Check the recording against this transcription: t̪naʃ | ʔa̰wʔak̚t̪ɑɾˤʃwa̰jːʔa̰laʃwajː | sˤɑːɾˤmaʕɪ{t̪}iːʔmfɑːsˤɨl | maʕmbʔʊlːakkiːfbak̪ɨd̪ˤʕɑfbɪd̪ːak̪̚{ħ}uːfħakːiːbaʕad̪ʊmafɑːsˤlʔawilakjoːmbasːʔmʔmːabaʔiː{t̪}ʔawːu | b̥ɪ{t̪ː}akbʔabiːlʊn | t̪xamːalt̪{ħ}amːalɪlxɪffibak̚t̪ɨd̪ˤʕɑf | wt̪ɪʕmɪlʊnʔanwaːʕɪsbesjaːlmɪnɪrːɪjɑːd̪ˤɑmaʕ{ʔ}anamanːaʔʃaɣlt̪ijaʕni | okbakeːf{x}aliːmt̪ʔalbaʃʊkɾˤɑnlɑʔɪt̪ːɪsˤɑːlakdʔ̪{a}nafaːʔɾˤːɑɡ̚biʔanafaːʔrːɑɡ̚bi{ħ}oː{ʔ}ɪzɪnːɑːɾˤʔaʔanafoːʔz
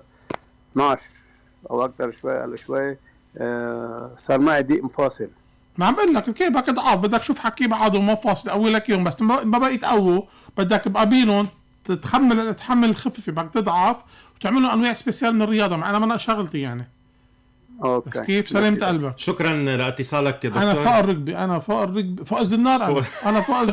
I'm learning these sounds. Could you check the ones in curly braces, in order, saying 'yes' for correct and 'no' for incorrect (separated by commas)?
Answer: no, no, yes, no, yes, yes, no, yes, no, yes